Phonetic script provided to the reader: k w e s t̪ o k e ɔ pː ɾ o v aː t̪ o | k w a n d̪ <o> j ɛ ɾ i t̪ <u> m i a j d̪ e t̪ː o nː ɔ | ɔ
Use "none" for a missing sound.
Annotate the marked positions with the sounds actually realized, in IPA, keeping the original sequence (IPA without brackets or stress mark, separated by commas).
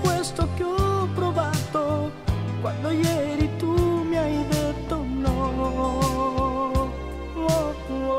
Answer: o, u